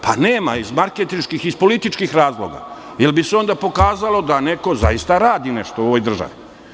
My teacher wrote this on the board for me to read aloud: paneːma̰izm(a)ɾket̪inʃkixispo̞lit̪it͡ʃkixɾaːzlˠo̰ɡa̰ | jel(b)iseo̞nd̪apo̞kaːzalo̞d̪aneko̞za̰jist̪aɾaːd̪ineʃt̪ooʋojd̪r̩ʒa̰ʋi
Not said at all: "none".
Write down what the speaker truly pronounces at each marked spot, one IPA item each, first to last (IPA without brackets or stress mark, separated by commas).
a, b